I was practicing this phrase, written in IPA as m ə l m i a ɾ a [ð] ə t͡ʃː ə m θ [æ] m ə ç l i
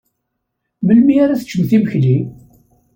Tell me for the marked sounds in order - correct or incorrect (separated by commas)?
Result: incorrect, incorrect